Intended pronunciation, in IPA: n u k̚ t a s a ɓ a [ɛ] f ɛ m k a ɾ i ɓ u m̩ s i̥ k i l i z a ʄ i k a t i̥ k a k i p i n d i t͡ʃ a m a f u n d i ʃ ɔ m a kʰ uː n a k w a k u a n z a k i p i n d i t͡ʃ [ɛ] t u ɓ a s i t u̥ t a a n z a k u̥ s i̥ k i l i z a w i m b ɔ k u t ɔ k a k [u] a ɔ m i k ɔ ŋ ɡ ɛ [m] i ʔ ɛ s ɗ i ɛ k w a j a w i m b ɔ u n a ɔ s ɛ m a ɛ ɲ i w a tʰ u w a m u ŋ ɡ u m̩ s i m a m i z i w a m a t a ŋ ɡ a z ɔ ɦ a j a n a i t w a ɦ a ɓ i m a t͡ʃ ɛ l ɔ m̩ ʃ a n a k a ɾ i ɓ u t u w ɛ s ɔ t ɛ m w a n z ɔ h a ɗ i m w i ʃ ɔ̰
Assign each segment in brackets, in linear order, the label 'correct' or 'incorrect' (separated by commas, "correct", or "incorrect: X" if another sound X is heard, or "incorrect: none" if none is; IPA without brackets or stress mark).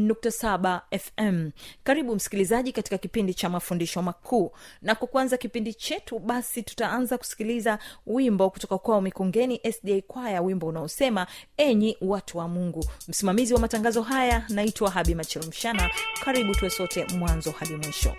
correct, correct, incorrect: w, incorrect: n